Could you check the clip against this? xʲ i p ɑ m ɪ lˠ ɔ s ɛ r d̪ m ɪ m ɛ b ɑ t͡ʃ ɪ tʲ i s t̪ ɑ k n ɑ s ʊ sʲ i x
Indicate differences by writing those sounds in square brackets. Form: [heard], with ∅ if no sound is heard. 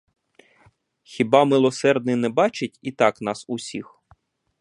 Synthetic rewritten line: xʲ i [b] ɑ m ɪ lˠ ɔ s ɛ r d̪ [n] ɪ [n] ɛ b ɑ t͡ʃ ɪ tʲ i [∅] t̪ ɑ k n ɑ s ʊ sʲ i x

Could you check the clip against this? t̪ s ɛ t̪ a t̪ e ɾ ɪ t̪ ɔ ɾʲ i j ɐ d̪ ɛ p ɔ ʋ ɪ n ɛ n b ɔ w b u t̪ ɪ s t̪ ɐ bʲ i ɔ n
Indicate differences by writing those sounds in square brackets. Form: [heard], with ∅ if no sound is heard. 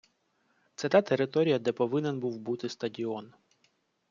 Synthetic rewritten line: t̪ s ɛ t̪ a t̪ e ɾ ɪ t̪ ɔ ɾʲ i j ɐ d̪ ɛ p ɔ ʋ ɪ n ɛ n b [u] w b u t̪ ɪ s t̪ ɐ [dʲ] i ɔ n

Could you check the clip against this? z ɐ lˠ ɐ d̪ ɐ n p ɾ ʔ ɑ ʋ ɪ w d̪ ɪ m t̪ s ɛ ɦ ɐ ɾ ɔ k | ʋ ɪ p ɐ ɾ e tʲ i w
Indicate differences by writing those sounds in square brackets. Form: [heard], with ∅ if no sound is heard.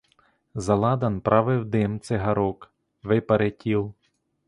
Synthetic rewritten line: z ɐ lˠ [ɑ] d̪ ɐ n p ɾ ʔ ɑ ʋ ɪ w d̪ ɪ m t̪ s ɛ ɦ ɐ ɾ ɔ k | ʋ ɪ p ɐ ɾ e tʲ i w

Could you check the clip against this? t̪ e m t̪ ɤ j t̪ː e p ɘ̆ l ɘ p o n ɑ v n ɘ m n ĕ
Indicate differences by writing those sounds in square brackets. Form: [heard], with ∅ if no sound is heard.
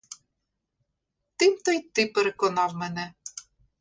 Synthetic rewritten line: t̪ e m t̪ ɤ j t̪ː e p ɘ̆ [ɾ] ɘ [k] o n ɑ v [m] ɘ [∅] n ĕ

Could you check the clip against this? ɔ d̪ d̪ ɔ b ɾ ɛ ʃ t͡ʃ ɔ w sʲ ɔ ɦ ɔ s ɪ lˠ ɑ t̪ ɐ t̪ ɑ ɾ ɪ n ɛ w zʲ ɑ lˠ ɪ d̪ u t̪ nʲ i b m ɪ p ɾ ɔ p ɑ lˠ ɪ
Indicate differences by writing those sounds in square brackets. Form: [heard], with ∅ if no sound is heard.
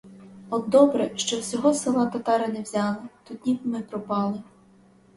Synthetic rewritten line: ɔ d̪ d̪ ɔ b ɾ ɛ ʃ t͡ʃ ɔ w sʲ ɔ ɦ ɔ s ɪ lˠ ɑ t̪ ɐ t̪ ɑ ɾ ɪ n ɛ w zʲ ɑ lˠ ɪ [t̪] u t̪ nʲ i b m ɪ p ɾ ɔ p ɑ lˠ ɪ

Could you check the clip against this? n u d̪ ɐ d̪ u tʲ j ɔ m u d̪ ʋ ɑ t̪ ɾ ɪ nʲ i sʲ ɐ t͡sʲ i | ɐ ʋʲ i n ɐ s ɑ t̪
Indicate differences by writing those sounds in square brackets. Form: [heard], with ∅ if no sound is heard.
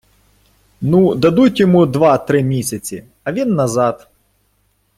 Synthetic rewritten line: n u d̪ ɐ d̪ u tʲ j ɔ m u d̪ ʋ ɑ t̪ ɾ ɪ [mʲ] i sʲ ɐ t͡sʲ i | ɐ ʋʲ i [nː] ɐ [z] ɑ t̪

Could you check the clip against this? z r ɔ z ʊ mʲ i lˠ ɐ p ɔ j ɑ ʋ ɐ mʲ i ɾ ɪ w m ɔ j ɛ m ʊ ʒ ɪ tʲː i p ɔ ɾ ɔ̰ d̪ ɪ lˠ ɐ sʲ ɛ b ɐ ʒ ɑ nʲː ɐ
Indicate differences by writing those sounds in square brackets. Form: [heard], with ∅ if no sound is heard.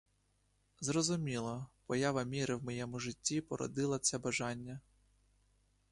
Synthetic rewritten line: z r ɔ z ʊ mʲ i lˠ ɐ p ɔ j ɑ ʋ ɐ mʲ i ɾ ɪ w m ɔ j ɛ m ʊ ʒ ɪ tʲː i p ɔ ɾ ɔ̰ d̪ ɪ lˠ ɐ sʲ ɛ b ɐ ʒ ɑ nʲː ɐ

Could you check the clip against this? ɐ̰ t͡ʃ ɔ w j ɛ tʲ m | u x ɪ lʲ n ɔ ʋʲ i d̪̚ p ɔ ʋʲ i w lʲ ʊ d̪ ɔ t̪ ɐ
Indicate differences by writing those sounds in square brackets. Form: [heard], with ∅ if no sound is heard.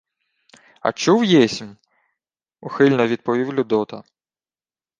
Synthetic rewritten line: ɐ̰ t͡ʃ [u] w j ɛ [sʲ] m | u x ɪ lʲ n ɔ ʋʲ i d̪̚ p ɔ ʋʲ i w lʲ ʊ d̪ ɔ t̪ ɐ

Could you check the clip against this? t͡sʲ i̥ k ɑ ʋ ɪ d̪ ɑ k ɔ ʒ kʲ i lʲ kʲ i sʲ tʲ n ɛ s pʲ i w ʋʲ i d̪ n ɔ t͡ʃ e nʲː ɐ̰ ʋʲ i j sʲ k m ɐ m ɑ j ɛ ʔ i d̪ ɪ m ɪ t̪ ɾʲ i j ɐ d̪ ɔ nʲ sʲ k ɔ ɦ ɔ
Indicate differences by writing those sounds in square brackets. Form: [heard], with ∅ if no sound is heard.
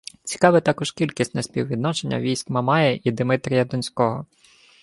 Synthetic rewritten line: t͡sʲ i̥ k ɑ ʋ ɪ [t̪] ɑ k ɔ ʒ kʲ i lʲ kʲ i sʲ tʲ n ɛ s pʲ i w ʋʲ i d̪ n ɔ t͡ʃ e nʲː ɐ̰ ʋʲ i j sʲ k m ɐ m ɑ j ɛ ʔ i d̪ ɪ m ɪ t̪ ɾʲ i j ɐ d̪ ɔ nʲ sʲ k ɔ ɦ ɔ

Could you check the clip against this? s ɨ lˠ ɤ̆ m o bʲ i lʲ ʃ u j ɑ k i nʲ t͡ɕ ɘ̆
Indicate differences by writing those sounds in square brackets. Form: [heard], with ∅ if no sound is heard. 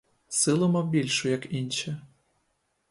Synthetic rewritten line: s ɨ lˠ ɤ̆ m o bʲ i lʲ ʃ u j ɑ k i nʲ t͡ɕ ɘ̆

